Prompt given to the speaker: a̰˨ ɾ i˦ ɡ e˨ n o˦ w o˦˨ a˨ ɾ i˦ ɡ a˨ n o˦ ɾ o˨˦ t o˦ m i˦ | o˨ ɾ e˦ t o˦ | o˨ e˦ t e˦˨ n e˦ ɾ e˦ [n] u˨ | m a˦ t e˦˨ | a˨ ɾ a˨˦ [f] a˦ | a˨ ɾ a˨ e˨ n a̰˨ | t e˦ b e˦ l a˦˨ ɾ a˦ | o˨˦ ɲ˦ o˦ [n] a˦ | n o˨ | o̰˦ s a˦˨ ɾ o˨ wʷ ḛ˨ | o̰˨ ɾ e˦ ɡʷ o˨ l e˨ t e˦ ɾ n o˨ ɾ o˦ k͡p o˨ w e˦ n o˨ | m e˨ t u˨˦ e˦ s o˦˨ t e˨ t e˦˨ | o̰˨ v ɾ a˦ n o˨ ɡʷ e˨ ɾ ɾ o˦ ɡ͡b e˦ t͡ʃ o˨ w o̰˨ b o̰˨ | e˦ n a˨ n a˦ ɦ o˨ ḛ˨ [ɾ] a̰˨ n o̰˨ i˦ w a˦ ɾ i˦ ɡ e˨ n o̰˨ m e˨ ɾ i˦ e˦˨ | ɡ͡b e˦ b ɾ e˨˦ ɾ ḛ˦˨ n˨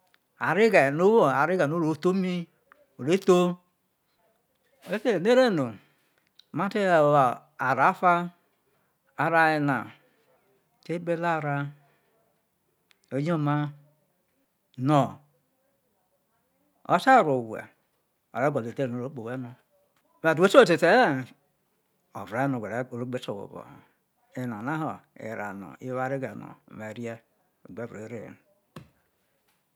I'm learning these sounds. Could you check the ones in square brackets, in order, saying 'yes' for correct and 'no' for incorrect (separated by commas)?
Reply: yes, yes, no, yes